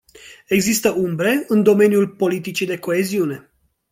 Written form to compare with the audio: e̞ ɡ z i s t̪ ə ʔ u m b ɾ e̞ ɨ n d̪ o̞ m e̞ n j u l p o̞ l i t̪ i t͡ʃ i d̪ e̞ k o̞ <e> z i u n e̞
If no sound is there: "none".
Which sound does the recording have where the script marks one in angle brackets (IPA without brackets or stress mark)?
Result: e